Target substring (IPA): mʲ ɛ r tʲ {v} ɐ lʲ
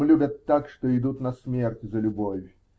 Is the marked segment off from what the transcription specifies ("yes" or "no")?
yes